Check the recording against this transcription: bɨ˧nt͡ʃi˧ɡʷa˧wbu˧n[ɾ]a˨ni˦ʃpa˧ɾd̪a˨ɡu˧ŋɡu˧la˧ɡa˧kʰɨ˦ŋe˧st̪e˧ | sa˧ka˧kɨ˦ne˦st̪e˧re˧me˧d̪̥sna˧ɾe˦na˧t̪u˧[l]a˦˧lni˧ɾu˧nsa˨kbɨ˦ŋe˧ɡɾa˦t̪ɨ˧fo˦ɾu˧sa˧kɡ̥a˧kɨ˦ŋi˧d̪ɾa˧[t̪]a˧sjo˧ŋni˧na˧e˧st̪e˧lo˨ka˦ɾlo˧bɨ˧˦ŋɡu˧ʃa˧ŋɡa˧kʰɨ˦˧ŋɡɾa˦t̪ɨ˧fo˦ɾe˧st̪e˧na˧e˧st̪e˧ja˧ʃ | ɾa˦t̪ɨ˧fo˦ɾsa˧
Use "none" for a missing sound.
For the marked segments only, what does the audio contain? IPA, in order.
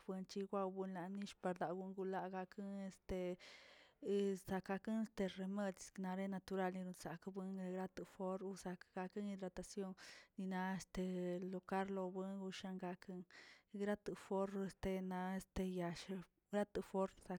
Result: l, ɾ, t̪

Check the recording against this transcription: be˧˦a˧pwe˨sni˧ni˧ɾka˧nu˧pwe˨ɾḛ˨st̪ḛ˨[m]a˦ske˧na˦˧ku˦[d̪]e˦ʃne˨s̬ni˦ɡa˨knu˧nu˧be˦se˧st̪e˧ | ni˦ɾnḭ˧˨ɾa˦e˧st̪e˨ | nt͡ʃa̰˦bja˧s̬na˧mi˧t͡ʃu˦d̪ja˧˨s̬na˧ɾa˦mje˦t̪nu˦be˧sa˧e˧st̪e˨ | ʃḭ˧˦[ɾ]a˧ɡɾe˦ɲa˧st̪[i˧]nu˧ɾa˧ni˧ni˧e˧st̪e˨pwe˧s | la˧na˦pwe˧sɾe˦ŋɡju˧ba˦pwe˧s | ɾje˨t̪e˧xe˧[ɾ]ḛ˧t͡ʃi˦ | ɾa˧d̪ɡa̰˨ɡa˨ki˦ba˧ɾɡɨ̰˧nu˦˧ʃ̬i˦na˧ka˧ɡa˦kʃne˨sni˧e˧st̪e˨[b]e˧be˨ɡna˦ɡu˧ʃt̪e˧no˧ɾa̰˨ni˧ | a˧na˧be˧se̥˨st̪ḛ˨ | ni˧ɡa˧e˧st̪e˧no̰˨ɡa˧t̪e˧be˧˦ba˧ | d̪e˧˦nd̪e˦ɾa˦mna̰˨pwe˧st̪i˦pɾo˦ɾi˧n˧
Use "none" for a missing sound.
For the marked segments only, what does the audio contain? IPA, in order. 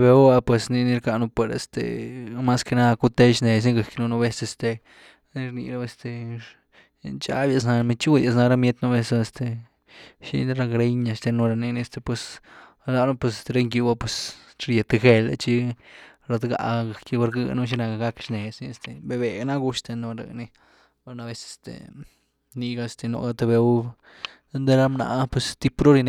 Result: m, t̪, ɾ, e˧, l, b

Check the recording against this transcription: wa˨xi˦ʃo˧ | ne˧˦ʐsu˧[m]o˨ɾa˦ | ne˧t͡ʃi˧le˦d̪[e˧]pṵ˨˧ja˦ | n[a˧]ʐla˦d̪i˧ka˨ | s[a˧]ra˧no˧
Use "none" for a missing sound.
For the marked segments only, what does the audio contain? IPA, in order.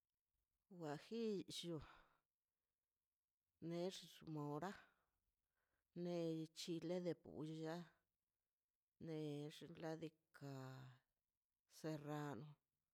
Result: m, e˧, e˧, e˧

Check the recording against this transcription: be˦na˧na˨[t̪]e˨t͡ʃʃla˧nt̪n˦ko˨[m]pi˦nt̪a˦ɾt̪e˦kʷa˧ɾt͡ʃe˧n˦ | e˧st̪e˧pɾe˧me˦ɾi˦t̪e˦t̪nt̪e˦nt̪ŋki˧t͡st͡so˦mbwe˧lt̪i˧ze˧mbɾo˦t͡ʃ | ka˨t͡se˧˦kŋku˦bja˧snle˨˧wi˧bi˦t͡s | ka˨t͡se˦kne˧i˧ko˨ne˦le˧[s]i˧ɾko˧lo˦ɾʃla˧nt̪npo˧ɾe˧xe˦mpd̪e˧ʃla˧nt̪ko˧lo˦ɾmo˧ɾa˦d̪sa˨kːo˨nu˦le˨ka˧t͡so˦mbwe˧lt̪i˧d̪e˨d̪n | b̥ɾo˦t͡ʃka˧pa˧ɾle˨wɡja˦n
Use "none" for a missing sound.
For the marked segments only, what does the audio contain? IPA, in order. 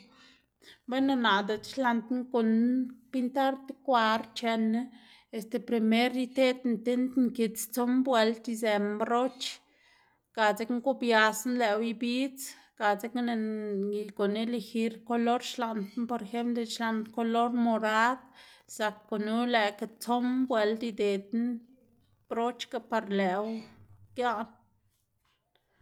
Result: d̪, n, x

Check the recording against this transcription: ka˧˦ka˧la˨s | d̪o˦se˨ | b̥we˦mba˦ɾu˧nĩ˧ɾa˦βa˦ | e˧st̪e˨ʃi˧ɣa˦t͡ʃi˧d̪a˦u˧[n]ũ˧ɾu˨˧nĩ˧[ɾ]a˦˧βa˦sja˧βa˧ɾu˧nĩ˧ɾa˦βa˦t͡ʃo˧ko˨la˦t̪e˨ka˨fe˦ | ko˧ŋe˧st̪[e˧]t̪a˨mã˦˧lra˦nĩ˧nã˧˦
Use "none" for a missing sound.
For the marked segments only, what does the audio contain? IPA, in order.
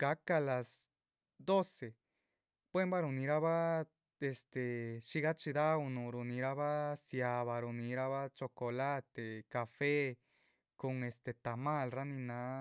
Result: n, ɾ, e˧

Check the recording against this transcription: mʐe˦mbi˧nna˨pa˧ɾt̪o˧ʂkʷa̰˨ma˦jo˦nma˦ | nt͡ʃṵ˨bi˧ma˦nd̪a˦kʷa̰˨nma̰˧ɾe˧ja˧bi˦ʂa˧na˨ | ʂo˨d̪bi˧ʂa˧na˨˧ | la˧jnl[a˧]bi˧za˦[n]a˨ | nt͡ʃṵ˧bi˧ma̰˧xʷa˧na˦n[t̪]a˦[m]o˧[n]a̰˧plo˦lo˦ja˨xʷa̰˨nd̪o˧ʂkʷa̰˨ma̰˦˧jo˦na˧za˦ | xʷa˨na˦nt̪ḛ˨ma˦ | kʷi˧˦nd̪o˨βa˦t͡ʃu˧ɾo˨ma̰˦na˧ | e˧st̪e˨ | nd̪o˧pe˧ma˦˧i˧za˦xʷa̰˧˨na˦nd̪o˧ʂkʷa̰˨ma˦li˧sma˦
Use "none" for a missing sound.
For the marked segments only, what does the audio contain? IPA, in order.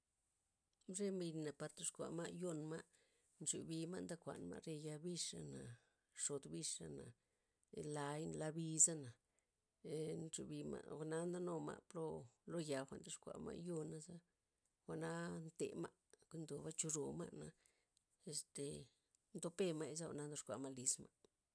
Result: a˧, n, d̪, n, m

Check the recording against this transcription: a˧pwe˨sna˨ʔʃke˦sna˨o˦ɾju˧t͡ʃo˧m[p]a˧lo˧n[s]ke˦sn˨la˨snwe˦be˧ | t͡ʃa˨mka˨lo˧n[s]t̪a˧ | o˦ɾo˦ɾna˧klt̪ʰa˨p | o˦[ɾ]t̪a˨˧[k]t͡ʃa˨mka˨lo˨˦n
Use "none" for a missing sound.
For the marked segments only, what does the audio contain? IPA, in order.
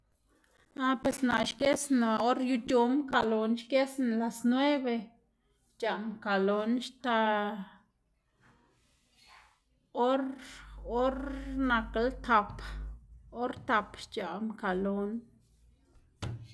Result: k, ʃ, ʃ, ɾ, p

